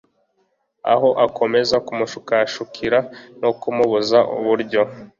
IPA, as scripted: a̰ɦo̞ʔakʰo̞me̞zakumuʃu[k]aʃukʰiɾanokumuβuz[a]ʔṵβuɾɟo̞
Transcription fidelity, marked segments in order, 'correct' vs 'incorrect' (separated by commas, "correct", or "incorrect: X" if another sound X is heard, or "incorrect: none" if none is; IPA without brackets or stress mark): correct, correct